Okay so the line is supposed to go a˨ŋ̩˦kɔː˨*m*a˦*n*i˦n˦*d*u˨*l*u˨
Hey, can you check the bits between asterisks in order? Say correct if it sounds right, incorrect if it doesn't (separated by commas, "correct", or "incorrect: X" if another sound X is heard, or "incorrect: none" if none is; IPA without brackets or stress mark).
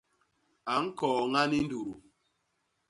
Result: incorrect: ŋ, correct, correct, incorrect: ɾ